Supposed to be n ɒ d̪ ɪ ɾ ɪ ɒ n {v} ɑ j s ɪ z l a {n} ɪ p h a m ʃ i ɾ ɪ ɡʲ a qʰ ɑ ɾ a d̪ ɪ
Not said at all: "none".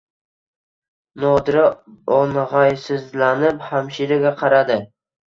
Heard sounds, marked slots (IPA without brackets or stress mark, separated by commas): ʁ, n